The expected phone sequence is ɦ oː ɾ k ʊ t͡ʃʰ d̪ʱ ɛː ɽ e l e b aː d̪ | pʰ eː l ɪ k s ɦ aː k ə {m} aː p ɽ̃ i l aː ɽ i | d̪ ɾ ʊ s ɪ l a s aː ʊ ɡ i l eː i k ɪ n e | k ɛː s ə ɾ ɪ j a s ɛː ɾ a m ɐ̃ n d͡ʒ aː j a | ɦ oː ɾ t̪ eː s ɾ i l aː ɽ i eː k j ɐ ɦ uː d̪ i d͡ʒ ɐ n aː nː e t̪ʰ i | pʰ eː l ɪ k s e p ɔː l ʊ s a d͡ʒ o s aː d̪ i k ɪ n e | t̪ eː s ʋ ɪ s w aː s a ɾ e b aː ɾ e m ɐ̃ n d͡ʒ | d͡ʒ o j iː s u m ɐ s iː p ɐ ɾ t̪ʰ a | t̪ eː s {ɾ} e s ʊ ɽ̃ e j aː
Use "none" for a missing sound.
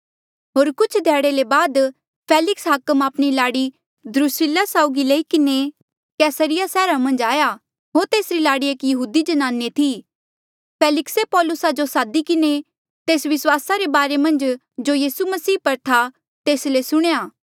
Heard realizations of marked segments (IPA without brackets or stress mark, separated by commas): m, l